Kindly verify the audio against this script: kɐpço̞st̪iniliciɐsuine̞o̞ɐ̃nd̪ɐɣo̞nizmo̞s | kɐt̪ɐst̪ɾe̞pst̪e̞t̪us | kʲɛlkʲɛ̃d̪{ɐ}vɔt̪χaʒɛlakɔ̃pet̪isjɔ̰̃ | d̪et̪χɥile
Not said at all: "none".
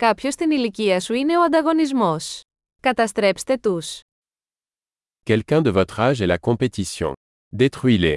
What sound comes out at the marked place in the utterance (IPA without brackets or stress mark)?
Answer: ə